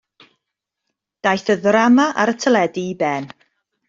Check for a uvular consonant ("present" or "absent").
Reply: absent